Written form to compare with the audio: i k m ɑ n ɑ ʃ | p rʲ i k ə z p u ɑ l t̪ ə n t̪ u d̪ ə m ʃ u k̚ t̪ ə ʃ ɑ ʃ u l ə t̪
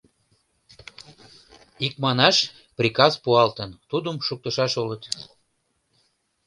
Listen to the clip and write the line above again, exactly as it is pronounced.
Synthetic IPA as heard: i k m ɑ n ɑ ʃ | p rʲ i k ɑ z p u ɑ l t̪ ə n t̪ u d̪ ə m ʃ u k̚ t̪ ə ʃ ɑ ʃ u l ə t̪